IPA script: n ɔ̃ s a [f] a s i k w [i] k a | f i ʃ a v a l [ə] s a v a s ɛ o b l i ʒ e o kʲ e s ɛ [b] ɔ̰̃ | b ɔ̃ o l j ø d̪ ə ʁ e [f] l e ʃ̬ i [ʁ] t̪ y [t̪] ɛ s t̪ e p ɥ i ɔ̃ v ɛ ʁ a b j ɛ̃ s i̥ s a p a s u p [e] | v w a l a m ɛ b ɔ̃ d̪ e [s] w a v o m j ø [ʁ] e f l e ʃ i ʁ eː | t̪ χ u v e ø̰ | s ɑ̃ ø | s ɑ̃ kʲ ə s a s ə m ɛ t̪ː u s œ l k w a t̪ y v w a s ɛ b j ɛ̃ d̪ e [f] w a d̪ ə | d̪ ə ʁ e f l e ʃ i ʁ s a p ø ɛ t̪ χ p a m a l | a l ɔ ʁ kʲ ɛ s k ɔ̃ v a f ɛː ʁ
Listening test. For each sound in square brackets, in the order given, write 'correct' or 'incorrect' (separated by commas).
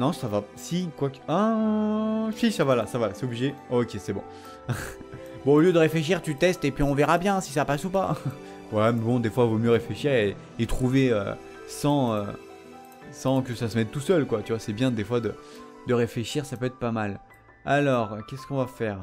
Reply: incorrect, incorrect, incorrect, correct, correct, correct, correct, incorrect, incorrect, correct, correct